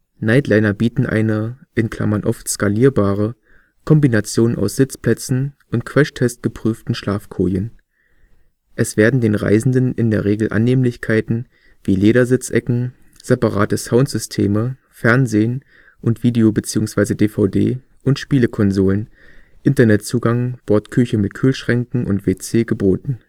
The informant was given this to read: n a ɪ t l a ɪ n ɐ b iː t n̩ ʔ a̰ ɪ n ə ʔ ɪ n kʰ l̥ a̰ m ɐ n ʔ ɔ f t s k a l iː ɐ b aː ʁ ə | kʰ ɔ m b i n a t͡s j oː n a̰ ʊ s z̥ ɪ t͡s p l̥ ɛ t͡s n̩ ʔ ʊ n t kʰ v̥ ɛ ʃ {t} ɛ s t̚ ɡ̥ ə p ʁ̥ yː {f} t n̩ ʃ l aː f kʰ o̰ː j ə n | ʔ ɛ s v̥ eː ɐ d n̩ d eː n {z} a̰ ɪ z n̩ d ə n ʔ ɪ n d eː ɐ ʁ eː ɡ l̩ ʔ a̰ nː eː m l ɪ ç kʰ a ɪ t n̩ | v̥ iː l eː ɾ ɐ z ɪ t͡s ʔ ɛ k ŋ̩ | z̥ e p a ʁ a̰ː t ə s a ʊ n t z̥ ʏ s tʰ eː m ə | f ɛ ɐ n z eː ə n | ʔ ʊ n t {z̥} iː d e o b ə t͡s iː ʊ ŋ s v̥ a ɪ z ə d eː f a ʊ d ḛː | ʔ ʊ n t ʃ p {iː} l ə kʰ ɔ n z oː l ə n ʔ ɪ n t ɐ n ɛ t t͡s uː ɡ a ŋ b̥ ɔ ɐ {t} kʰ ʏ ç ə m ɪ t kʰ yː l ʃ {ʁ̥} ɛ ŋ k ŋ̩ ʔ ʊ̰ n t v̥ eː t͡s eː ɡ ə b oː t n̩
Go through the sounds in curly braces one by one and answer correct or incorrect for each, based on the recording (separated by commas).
incorrect, correct, incorrect, incorrect, correct, correct, correct